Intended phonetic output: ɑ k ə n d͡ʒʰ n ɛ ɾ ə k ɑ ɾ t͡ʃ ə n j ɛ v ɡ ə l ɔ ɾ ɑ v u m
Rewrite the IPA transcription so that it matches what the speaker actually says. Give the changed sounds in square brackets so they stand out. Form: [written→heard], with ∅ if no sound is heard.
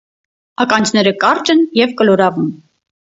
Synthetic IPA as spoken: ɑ k [ə→ɑ] n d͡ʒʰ n ɛ ɾ ə k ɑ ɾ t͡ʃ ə n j ɛ v [ɡ→k] ə l ɔ ɾ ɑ v u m